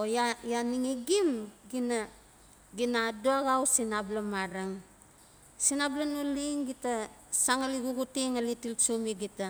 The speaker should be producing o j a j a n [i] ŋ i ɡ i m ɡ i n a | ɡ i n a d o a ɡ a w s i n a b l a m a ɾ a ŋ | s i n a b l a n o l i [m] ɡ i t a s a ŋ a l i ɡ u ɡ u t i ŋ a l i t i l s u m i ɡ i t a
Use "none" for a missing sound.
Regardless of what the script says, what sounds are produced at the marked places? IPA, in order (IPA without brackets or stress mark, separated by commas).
i, ŋ